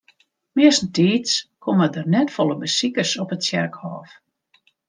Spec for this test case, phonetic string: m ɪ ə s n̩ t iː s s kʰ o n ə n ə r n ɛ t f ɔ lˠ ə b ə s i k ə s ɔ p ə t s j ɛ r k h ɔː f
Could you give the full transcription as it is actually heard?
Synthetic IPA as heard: m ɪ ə s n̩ t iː t s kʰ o m ə d ə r n ɛ t f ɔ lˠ ə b ə s i k ə s ɔ p ə t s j ɛ r k h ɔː f